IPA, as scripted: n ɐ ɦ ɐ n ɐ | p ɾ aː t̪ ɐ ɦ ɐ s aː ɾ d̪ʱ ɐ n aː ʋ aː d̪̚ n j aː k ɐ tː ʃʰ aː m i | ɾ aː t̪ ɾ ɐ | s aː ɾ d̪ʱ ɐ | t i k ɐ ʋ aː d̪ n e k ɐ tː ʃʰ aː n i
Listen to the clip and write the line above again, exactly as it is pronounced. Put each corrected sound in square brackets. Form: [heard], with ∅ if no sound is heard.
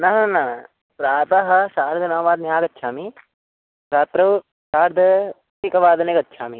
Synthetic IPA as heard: n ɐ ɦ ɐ n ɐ | p ɾ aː t̪ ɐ ɦ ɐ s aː ɾ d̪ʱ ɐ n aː ʋ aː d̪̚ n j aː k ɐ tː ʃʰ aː m i | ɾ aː t̪ ɾ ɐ | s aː ɾ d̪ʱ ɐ | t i k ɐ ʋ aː d̪ n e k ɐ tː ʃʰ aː [m] i